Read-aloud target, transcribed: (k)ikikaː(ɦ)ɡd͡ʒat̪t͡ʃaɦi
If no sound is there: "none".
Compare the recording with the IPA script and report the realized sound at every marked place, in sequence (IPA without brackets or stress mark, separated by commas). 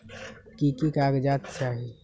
k, none